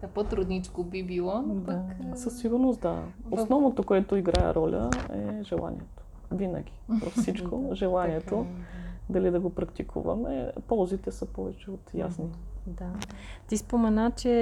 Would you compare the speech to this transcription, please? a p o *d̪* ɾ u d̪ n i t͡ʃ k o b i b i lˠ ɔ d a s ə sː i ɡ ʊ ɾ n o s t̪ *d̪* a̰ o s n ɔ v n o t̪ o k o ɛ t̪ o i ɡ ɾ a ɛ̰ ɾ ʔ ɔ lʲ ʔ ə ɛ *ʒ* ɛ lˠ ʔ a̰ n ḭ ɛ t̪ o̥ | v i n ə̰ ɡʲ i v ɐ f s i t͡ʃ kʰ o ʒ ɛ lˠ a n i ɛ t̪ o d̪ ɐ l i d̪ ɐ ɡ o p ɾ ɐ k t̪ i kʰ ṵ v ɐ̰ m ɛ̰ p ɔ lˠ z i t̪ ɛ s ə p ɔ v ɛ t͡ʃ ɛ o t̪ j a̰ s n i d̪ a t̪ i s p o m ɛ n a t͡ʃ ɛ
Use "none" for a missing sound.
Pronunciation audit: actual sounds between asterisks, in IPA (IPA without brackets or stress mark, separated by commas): t̪, d̪, ʒ